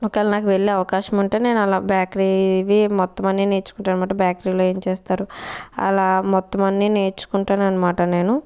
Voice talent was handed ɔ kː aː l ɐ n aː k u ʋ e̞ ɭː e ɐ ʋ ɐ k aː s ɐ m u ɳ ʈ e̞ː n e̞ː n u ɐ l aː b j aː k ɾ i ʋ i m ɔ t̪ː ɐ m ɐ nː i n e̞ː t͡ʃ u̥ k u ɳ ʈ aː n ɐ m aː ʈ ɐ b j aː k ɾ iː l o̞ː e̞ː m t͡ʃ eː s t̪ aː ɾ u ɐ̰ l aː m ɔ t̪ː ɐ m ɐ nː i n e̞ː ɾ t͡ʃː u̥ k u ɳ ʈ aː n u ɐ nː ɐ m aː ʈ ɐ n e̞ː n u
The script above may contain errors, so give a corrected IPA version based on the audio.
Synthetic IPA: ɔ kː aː l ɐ n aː k u ʋ e̞ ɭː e ɐ ʋ ɐ k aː ʃ ɐ m u ɳ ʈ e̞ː n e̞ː n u ɐ l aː b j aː k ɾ i ʋ i m ɔ t̪ː ɐ m ɐ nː i n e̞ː t͡ʃ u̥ k u ɳ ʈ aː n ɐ m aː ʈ ɐ b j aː k ɾ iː l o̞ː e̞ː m t͡ʃ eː s t̪ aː ɾ u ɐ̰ l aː m ɔ t̪ː ɐ m ɐ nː i n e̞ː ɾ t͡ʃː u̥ k u ɳ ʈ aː n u ɐ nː ɐ m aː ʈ ɐ n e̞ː n u

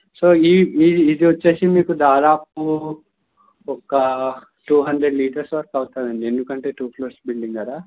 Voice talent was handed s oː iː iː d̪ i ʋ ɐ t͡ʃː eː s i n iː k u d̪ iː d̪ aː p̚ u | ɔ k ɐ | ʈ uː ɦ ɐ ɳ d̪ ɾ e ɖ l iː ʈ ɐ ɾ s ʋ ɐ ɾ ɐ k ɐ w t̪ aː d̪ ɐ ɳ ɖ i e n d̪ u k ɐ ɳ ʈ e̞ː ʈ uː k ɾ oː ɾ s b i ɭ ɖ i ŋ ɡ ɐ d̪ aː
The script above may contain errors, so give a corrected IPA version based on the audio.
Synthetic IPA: s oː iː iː d̪ i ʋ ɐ t͡ʃː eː s i m iː k u d̪ aː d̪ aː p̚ u | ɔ k ɐ | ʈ uː ɦ ɐ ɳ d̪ ɾ e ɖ l iː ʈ ɐ ɾ s ʋ ɐ ɾ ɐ k ɐ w t̪ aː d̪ ɐ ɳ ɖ i e n d̪ u k ɐ ɳ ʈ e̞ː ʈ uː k l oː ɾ s b i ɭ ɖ i ŋ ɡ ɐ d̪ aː

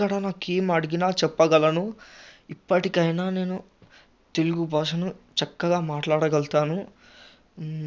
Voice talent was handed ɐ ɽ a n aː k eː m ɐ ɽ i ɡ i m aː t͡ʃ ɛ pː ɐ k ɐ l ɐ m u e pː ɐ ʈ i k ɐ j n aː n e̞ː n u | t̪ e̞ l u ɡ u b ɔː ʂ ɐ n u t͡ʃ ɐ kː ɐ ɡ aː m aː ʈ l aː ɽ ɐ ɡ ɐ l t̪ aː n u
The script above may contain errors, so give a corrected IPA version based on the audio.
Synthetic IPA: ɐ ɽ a n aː k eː m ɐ ɽ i ɡ i n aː t͡ʃ ɛ pː ɐ ɡ ɐ l ɐ n u i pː ɐ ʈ i k ɐ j n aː n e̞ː n u | t̪ e̞ l u ɡ u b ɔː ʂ ɐ n u t͡ʃ ɐ kː ɐ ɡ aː m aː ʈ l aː ɽ ɐ ɡ ɐ l t̪ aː n u

